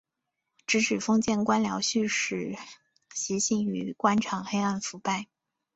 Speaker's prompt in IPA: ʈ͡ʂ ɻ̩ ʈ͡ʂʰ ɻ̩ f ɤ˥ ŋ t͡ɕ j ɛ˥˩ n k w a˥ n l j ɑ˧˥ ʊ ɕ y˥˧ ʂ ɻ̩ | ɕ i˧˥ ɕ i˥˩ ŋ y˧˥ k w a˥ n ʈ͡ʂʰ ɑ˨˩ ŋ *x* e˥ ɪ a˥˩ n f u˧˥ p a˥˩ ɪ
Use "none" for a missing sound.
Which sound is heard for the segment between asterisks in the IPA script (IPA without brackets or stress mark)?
x